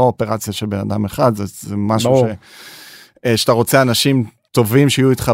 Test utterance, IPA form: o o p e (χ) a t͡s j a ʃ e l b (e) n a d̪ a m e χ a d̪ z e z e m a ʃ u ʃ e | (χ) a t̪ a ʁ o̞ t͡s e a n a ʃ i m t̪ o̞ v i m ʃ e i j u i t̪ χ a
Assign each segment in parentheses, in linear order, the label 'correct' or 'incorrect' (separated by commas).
incorrect, correct, incorrect